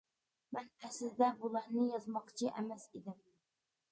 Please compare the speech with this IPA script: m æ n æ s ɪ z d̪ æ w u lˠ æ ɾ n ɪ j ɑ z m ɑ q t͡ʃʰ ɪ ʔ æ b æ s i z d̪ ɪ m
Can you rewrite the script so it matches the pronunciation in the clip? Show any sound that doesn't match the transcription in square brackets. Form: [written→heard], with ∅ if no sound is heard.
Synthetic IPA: m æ n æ s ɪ z d̪ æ [w→b] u lˠ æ ɾ n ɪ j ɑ z m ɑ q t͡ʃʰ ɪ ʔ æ [b→m] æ s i [z→∅] d̪ ɪ m

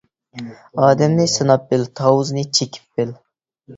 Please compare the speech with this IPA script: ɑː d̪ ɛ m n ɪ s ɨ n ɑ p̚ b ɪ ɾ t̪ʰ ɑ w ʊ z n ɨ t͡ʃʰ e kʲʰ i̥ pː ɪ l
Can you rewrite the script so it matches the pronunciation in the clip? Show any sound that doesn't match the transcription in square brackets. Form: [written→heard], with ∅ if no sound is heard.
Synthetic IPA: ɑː d̪ ɛ m n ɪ s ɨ n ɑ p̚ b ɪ [ɾ→l] t̪ʰ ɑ w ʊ z n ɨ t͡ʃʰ e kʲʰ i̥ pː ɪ l

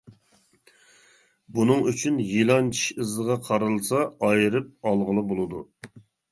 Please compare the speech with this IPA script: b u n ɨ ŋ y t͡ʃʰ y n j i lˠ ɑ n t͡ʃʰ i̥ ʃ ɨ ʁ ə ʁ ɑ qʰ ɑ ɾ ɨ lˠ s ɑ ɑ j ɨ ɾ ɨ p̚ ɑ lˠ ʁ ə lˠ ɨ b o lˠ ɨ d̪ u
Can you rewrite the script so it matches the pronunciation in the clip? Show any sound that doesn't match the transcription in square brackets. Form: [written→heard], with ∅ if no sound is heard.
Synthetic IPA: b u n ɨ ŋ y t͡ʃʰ y n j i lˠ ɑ n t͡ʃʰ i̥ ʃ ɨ [ʁ→z] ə ʁ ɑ qʰ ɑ ɾ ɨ lˠ s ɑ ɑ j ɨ ɾ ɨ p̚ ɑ lˠ ʁ ə lˠ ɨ b o lˠ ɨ d̪ u

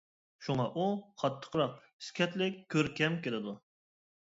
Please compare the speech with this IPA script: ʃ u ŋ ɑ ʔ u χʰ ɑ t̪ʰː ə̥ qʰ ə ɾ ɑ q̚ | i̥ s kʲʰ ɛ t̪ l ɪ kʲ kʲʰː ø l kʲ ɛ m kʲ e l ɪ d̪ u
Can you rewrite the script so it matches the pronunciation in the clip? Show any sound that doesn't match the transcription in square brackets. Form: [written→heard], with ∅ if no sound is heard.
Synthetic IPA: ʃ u ŋ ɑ ʔ u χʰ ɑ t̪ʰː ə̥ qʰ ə ɾ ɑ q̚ | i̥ s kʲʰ ɛ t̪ l ɪ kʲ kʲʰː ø [l→ɾ] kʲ ɛ m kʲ e l ɪ d̪ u

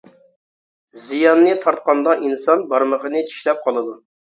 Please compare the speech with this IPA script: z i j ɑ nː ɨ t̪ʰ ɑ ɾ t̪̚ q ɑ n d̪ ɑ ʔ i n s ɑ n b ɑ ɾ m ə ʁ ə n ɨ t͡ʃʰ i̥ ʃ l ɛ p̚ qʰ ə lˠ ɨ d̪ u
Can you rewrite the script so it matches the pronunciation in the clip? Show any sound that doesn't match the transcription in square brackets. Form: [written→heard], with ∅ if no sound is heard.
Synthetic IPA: z i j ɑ nː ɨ t̪ʰ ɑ ɾ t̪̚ q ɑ n d̪ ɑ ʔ i n s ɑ n b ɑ ɾ m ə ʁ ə n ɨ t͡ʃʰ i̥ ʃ l ɛ p̚ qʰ [ə→ɑ] lˠ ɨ d̪ u

